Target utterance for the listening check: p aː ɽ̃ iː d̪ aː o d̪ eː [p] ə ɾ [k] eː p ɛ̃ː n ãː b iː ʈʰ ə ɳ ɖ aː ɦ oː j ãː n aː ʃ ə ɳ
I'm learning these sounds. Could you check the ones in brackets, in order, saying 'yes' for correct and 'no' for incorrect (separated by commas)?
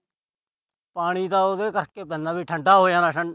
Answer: no, yes